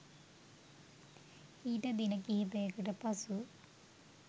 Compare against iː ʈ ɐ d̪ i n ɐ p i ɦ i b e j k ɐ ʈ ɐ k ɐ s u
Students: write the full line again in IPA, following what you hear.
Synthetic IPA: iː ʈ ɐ d̪ i n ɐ k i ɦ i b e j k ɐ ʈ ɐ p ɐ s u